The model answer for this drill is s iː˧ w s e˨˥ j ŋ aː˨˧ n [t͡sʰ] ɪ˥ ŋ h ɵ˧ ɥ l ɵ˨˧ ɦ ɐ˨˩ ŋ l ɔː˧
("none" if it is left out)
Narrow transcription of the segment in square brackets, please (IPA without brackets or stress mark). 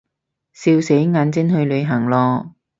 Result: t͡s